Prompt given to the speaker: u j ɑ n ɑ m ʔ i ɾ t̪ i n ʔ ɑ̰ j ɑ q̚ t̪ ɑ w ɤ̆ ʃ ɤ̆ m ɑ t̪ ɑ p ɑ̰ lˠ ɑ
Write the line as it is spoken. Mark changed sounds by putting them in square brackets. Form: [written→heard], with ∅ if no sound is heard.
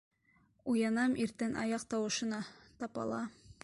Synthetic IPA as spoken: u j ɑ n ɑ m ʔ i ɾ t̪ [i→æ] n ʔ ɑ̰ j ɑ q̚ t̪ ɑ w ɤ̆ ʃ ɤ̆ [m→n] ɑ t̪ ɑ p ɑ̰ lˠ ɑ